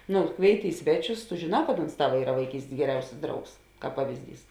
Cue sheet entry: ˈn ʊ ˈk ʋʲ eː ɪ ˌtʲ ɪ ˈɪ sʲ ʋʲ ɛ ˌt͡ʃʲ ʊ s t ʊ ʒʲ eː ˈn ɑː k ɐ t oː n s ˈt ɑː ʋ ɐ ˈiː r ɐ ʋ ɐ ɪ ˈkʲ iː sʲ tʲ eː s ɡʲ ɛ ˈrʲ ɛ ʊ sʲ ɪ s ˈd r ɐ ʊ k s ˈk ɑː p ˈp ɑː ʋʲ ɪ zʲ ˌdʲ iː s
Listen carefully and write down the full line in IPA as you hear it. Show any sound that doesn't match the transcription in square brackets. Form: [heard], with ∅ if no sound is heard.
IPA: ˈn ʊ ˈk ʋʲ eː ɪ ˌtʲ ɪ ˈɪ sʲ ʋʲ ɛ ˌt͡ʃʲ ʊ s t ʊ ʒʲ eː ˈn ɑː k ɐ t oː n s ˈt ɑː ʋ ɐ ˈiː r ɐ ʋ ɐ ɪ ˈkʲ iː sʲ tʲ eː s ɡʲ ɛ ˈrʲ ɛ ʊ sʲ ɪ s ˈd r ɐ ʊ k s ˈk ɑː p ˈp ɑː ʋʲ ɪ zʲ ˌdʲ iː s